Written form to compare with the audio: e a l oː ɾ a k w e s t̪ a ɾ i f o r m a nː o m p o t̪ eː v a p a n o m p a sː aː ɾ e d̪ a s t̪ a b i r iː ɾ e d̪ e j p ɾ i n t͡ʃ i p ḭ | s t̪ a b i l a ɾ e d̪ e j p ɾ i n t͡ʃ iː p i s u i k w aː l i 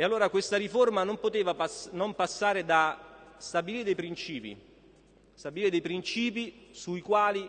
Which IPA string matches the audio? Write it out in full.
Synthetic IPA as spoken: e a lː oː ɾ a k w e s t̪ a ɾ i f o r m a n o m p o t̪ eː v a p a n o m p a sː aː ɾ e d̪ a s t̪ a b i l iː ɾ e d̪ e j p ɾ i n t͡ʃ iː p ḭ | s t̪ a b i l i ɾ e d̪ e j p ɾ i n t͡ʃ iː p i s u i k w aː l i